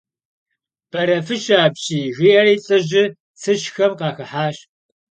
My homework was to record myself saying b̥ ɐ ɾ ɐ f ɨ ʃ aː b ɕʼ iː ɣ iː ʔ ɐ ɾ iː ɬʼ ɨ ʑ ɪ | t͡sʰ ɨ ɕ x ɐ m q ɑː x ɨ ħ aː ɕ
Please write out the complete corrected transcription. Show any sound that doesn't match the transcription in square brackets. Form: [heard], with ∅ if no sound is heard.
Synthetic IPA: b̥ ɐ ɾ ɐ f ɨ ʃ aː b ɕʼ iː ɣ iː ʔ ɐ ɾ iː ɬʼ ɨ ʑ ɪ | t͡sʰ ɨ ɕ x ɐ m q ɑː x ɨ ħ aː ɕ